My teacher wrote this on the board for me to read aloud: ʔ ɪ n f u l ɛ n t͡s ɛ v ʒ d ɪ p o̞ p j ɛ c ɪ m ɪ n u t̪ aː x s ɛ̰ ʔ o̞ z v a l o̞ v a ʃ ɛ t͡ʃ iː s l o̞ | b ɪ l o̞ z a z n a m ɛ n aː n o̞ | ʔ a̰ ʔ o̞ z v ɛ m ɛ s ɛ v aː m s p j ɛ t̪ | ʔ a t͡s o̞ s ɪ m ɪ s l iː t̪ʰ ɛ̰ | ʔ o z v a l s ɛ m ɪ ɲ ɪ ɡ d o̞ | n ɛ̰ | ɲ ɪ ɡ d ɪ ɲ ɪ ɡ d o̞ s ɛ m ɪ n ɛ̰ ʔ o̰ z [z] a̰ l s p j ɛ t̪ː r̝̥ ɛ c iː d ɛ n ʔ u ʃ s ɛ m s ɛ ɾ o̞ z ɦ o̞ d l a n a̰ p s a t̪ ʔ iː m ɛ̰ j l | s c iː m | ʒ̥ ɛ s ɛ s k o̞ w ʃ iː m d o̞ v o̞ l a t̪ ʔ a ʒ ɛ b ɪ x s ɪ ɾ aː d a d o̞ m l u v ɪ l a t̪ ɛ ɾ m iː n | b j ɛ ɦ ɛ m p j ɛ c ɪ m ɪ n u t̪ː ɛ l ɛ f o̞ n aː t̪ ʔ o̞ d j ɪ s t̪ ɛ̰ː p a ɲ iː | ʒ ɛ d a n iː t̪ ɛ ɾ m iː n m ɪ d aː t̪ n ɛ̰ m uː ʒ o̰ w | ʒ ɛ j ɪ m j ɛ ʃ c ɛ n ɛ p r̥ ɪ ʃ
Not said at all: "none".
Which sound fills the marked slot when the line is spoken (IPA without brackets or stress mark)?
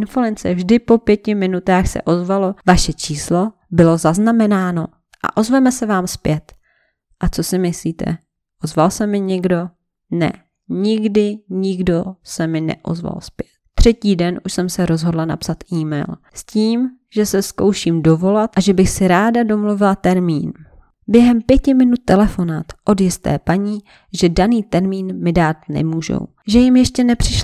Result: v